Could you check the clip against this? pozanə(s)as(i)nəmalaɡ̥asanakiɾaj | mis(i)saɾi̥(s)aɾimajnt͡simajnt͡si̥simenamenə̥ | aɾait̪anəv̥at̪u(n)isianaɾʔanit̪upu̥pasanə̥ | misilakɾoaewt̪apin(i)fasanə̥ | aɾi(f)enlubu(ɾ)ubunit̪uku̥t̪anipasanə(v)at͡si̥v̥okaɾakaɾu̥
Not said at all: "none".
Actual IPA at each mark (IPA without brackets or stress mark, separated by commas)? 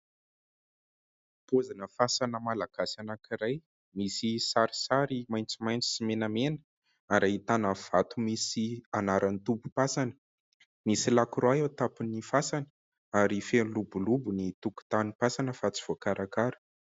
f, a, i, s, m, i, f, l, f